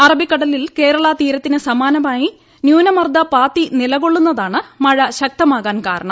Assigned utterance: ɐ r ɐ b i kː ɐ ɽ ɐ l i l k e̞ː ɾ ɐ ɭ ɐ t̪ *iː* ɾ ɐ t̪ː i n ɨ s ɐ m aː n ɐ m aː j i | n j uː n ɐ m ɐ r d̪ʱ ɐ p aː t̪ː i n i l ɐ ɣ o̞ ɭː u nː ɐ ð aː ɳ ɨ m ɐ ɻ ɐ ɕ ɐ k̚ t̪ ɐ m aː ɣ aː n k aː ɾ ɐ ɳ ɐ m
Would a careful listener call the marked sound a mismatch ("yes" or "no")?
no